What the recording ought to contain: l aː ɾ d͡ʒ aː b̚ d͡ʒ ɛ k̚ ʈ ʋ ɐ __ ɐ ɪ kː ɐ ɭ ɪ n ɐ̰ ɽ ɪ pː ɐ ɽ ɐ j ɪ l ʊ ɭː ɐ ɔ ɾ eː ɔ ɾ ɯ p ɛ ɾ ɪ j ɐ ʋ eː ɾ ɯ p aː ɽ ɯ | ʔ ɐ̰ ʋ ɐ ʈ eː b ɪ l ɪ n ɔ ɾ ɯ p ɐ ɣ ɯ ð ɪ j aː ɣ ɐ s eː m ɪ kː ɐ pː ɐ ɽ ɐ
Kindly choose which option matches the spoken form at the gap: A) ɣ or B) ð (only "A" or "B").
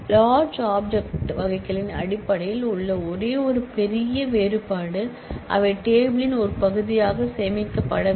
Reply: A